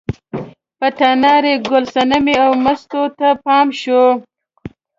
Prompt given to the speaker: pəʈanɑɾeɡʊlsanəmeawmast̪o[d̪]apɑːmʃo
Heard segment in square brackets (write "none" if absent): t̪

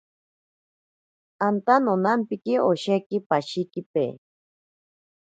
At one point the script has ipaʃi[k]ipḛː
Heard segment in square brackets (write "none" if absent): k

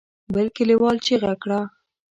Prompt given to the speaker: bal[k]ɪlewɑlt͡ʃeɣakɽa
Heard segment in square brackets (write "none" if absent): k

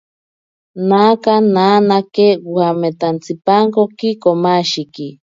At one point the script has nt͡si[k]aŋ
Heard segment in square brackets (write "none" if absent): p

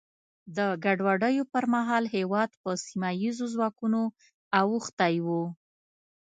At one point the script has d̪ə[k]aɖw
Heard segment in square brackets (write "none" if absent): ɡ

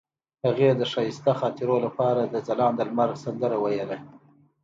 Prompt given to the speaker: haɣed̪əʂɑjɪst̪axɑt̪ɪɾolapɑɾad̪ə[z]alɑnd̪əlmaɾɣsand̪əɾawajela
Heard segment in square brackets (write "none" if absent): z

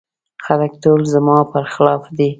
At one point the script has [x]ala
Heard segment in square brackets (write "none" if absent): x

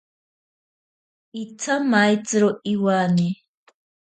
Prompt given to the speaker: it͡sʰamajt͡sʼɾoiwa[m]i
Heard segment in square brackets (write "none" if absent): n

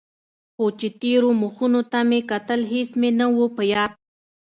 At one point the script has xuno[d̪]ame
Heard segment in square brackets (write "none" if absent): t̪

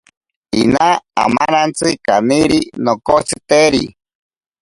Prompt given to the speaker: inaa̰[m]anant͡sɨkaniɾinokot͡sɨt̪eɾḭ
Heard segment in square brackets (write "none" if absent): m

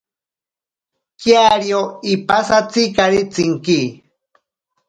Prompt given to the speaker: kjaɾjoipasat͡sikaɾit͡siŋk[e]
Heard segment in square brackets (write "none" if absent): i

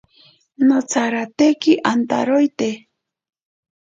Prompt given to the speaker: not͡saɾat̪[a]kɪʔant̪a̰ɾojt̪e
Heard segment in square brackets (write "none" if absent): e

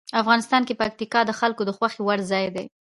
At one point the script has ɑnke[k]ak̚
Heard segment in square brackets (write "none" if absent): p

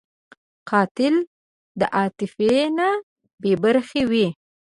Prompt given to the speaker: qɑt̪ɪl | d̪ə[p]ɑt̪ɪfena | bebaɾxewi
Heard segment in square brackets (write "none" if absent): ʔ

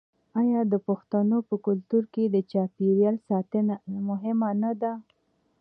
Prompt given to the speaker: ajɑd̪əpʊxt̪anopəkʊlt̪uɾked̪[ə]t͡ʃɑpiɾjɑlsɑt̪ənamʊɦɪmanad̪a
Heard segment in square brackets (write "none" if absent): ə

